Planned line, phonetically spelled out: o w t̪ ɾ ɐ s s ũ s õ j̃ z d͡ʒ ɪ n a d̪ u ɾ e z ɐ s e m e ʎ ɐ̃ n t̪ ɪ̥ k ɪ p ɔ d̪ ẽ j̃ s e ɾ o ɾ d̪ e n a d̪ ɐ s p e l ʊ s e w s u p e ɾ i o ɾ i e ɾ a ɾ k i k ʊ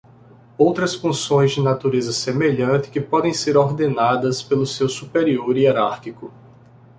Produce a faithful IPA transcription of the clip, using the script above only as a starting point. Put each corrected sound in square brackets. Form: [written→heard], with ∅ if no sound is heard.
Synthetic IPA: o w t̪ ɾ ɐ s [s→f] ũ s õ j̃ z d͡ʒ ɪ n a [d̪→t̪] u ɾ e z ɐ s e m e ʎ ɐ̃ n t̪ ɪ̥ k ɪ p ɔ d̪ ẽ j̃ s e ɾ o ɾ d̪ e n a d̪ ɐ s p e l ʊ s e w s u p e ɾ i o ɾ i e ɾ a ɾ k i k ʊ